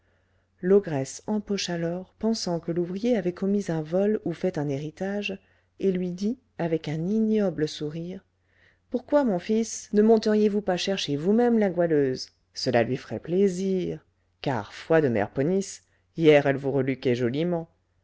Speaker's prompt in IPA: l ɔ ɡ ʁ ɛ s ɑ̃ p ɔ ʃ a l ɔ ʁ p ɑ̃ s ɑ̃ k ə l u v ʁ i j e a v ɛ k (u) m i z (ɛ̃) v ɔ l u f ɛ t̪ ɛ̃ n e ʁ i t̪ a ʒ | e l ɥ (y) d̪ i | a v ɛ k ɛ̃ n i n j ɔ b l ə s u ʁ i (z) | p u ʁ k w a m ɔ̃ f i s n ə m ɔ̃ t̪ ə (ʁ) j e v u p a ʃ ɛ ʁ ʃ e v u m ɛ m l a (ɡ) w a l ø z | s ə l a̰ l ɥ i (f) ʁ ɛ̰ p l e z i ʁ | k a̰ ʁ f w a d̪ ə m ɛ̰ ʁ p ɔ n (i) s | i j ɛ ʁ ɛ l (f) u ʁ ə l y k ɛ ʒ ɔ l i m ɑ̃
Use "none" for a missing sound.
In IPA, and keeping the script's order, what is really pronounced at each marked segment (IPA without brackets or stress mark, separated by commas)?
ɔ, ɛ̃, i, ʁ, ʁ, ɡ, f, i, v